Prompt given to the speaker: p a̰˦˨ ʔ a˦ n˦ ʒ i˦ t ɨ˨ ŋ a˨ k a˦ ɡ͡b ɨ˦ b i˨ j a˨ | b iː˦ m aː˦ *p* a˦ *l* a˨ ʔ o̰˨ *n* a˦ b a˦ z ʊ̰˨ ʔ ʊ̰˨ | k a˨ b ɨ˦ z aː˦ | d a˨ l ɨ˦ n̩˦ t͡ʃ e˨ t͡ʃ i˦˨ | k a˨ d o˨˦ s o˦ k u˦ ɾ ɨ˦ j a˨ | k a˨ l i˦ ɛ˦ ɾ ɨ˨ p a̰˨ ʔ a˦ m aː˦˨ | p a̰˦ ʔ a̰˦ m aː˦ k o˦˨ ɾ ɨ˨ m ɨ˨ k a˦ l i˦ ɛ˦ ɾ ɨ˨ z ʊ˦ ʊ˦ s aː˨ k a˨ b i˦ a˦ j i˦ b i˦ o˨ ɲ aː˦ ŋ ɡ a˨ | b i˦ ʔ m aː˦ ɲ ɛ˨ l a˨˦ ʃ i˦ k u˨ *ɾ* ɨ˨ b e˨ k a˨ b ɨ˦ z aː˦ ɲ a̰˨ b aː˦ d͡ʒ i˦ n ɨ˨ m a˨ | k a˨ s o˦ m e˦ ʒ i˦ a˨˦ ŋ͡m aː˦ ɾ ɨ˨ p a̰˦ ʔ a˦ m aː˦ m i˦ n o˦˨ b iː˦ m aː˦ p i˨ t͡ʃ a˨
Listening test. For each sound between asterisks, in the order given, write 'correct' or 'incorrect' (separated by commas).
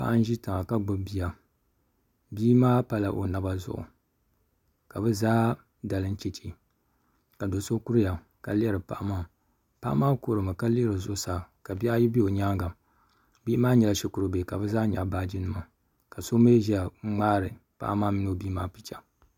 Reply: correct, correct, correct, correct